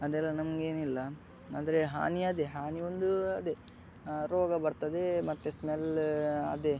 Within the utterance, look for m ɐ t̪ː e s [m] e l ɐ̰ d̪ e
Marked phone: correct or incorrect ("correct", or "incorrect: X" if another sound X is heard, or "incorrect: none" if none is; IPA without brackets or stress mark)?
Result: correct